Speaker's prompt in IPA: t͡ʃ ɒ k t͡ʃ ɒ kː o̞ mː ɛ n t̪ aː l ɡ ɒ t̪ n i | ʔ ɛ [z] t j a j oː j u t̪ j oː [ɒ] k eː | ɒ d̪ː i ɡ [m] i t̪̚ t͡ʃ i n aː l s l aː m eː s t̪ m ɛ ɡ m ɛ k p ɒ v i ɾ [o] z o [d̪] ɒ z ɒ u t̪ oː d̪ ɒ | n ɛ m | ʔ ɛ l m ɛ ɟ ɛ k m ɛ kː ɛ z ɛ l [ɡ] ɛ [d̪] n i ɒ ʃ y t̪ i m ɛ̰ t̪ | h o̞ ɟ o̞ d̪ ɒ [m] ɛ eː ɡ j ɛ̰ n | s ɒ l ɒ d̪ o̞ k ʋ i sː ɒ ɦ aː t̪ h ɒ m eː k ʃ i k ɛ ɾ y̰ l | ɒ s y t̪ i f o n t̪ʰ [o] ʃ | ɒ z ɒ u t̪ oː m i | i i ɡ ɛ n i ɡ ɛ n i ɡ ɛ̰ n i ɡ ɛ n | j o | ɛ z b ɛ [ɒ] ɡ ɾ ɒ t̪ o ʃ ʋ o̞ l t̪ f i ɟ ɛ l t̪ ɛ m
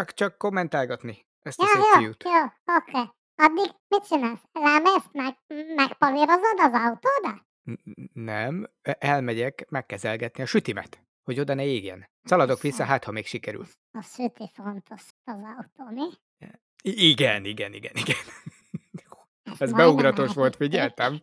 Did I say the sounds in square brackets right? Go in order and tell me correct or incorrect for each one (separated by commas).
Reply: incorrect, incorrect, correct, correct, correct, correct, incorrect, incorrect, correct, incorrect